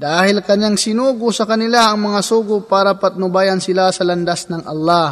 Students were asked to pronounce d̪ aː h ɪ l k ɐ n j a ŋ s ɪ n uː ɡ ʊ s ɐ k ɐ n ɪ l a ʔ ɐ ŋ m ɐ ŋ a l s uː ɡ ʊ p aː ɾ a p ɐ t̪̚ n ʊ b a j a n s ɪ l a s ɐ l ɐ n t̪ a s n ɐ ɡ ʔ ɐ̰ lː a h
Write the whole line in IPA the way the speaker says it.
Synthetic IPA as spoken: d̪ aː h ɪ l k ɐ ɲ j a ŋ s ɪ n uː ɡ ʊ s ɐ k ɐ n ɪ l a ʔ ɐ ŋ m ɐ ŋ a s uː ɡ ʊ p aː ɾ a p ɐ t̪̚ n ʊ b a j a n s ɪ l a s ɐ l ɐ n d̪ a s n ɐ ŋ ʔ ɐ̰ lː a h